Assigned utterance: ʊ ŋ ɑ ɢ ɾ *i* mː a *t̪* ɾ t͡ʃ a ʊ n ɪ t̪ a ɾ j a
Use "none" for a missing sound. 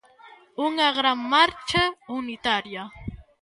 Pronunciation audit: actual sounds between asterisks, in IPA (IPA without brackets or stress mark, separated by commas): a, none